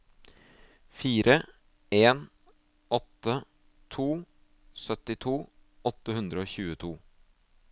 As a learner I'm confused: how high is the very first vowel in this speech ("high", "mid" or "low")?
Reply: high